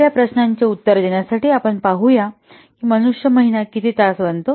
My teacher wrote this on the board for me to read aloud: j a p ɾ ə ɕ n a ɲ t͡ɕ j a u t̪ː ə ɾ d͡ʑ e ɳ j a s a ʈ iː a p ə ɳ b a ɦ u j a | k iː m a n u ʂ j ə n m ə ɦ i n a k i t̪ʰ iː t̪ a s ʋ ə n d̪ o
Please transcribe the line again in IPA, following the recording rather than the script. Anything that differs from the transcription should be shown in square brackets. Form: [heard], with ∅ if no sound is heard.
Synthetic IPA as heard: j a p ɾ ə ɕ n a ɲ t͡ɕ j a u t̪ː ə ɾ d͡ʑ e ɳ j a s a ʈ iː a p ə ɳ [p] a ɦ u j a | k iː m [ə] n u ʂ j ə [∅] m ə ɦ i n a k i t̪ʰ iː t̪ a s ʋ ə n [t̪] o